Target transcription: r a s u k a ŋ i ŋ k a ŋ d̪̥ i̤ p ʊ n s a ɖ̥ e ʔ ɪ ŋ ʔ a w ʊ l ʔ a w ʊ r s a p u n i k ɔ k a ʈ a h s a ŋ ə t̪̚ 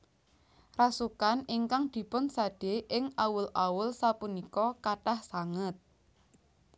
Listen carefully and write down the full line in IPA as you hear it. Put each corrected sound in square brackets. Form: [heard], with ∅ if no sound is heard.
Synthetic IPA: r a s u k a [n] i ŋ k a ŋ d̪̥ i̤ p ʊ n s a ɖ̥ e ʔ ɪ ŋ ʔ a w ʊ l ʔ a w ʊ [l] s a p u n i k ɔ k a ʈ a h s a ŋ ə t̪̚

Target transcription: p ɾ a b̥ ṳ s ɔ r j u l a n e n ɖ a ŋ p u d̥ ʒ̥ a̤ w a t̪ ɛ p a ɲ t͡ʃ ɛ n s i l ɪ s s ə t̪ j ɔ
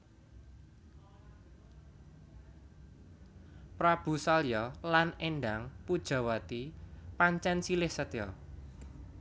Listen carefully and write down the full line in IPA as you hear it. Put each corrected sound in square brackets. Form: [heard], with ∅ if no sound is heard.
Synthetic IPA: p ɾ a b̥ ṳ s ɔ [l] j [ɔ] l a n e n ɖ a ŋ p u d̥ ʒ̥ a̤ w a t̪ [i] p a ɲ t͡ʃ ɛ n s i l ɪ [h] s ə t̪ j ɔ

